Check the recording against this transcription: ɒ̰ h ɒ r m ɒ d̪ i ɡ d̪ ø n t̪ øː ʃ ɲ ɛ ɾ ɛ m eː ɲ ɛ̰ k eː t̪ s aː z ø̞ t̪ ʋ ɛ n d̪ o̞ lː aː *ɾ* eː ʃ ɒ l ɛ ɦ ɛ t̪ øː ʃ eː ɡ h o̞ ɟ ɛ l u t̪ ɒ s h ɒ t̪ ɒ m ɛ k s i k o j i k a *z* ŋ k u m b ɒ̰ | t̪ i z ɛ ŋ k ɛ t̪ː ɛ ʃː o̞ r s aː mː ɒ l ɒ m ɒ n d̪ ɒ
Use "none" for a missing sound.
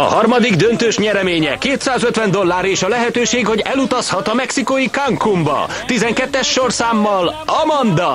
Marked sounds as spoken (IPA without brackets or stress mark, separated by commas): ɾ, none